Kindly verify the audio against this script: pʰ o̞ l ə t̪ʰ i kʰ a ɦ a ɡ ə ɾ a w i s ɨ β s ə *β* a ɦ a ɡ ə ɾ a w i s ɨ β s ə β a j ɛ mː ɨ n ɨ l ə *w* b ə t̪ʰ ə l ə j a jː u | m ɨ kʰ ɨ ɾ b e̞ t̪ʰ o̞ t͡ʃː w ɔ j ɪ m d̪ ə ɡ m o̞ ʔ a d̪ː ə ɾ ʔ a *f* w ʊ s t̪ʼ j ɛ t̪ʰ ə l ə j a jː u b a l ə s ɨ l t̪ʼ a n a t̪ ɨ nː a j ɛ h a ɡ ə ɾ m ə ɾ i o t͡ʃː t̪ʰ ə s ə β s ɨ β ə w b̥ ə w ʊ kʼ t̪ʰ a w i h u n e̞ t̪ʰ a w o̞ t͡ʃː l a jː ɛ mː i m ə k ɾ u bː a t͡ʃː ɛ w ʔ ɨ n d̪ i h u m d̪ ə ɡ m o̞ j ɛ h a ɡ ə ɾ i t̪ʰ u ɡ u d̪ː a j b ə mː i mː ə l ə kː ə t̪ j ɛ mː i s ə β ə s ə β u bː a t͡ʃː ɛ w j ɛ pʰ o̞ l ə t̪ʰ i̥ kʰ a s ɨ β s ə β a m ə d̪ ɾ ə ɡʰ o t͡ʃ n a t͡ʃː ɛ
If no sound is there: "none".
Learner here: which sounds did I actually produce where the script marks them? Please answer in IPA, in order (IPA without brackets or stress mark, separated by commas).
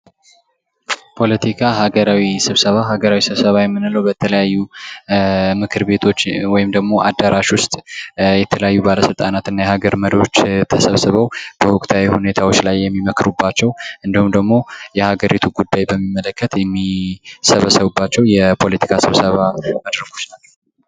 β, w, ʃ